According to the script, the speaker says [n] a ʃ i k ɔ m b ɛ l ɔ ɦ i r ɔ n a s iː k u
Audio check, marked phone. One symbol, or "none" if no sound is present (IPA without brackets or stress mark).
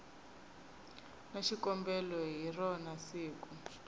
n